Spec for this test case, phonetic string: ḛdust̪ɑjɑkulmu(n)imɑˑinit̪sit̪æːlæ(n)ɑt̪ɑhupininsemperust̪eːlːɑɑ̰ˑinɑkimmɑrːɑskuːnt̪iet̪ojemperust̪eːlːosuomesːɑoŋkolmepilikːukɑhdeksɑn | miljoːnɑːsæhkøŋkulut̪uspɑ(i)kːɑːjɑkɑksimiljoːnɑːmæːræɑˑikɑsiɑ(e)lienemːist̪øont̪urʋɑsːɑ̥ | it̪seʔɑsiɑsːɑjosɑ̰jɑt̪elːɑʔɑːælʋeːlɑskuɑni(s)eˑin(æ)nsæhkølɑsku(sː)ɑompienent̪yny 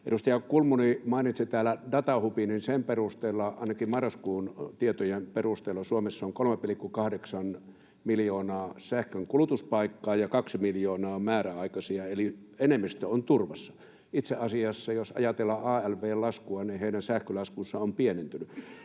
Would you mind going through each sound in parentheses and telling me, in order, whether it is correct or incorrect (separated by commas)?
correct, incorrect, correct, correct, incorrect, correct, correct